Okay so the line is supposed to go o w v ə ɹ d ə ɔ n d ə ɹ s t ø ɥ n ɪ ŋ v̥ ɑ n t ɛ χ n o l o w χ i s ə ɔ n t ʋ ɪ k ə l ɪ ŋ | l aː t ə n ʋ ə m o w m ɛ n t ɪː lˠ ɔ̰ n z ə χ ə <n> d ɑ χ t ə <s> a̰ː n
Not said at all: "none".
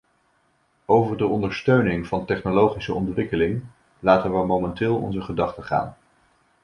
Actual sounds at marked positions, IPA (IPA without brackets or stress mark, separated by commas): none, χ